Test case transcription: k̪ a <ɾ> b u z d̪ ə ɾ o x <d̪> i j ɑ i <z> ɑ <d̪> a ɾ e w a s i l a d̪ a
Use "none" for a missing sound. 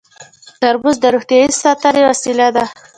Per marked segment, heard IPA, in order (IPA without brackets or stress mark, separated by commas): ɾ, t̪, s, t̪